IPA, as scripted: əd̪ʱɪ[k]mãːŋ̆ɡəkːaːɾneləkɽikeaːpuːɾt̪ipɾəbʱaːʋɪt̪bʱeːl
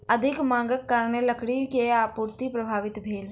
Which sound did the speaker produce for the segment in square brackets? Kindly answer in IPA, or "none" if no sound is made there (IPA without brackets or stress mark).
k